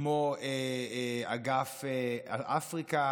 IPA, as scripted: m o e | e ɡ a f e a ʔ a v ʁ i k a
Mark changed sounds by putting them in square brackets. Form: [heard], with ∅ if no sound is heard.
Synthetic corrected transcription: m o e | [a] ɡ a f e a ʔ a [f] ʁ i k a